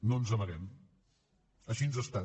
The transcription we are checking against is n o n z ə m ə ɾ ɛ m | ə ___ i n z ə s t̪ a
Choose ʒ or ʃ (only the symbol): ʃ